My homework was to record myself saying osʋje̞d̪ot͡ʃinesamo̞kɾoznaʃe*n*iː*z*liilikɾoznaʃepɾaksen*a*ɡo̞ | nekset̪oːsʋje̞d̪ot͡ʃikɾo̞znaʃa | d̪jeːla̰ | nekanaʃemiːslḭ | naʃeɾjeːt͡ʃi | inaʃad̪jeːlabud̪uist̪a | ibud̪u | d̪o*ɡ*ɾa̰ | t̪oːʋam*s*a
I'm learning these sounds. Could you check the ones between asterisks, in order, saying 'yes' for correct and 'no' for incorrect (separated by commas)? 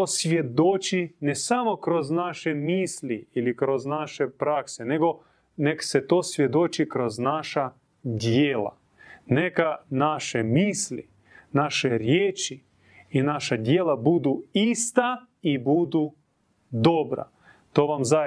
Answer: no, no, no, no, no